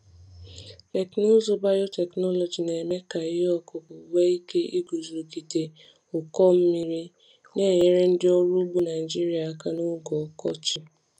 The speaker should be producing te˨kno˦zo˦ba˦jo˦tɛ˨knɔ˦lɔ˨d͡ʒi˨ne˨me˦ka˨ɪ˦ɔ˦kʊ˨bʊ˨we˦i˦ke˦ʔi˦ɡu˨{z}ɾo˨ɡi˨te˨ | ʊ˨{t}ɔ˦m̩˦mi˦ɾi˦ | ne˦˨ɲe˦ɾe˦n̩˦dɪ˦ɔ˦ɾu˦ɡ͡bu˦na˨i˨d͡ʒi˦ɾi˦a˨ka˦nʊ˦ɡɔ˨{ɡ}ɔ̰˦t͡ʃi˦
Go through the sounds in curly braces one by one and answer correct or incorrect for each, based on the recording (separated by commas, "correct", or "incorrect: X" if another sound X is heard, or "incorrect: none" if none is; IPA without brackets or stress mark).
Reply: correct, incorrect: k, incorrect: k